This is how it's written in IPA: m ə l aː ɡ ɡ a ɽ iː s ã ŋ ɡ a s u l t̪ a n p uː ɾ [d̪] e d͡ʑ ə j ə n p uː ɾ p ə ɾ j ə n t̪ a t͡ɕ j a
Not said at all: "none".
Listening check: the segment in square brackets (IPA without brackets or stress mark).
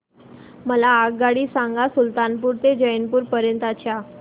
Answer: t̪